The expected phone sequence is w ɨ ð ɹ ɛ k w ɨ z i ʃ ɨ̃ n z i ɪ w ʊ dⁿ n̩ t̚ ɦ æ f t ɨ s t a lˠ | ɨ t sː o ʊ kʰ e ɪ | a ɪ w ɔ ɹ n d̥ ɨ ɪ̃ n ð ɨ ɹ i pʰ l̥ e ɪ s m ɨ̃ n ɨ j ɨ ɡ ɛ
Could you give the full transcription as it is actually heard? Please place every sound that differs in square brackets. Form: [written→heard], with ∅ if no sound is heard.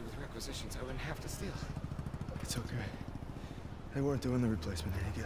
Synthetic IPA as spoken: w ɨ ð ɹ ɛ k w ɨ z [i→ɪ] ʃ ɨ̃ n z [i→a] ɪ w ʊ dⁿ n̩ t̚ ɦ æ f t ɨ s t [a→i] lˠ | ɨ t [sː→s] o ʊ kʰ e ɪ | a ɪ w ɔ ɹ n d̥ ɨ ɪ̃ n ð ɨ ɹ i pʰ l̥ e ɪ s m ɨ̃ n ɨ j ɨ ɡ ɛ

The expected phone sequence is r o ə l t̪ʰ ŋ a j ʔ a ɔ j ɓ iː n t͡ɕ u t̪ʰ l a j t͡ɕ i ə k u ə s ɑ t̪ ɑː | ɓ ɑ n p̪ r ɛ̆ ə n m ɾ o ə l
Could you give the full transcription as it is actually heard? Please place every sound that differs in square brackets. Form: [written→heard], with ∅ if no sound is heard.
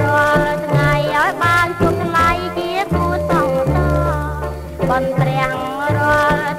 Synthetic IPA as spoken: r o ə l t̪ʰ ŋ a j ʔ a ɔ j ɓ [iː→aː] n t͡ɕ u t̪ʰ l a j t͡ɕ i ə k u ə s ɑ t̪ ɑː | ɓ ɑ n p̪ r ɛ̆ ə [n→ŋ] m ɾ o ə l

